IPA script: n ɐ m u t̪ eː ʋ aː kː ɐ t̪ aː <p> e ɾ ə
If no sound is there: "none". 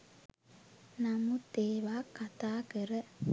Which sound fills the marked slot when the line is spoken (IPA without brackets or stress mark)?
k